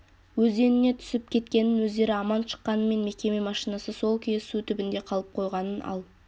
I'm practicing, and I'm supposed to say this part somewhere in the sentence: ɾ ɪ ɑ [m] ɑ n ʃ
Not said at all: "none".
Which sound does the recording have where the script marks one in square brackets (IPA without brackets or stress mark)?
m